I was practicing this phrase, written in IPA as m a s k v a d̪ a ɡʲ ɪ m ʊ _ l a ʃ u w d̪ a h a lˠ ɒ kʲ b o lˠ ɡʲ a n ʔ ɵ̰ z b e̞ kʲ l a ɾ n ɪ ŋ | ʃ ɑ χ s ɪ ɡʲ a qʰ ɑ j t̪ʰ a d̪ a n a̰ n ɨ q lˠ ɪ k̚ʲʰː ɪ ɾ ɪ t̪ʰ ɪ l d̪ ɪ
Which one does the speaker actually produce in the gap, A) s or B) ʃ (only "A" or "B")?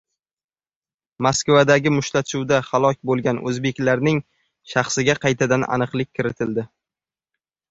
B